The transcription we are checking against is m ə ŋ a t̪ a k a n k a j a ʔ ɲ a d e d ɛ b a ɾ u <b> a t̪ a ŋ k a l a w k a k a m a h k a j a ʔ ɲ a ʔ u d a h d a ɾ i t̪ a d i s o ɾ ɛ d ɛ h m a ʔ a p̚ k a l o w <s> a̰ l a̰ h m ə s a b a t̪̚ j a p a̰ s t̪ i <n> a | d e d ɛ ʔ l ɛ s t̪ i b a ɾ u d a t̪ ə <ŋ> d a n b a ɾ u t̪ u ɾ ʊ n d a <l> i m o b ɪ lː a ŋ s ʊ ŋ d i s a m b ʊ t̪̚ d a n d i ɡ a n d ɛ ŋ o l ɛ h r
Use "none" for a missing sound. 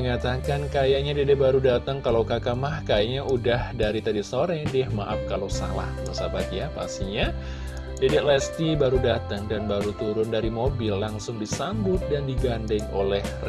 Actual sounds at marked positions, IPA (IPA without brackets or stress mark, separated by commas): d, s, ɲ, ŋ, ɾ